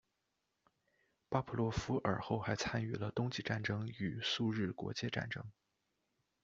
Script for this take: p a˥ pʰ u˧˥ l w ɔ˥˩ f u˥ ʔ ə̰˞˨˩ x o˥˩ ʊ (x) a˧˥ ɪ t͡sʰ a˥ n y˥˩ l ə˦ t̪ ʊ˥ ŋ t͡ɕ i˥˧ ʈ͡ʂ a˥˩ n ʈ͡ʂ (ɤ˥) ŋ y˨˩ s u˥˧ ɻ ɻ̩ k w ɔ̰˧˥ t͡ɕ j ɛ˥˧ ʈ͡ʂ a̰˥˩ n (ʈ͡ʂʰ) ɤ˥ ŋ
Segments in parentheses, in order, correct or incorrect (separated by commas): correct, correct, incorrect